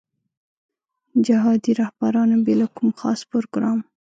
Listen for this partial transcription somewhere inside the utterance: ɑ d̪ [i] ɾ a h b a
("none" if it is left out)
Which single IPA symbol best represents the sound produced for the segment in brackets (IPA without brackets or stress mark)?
i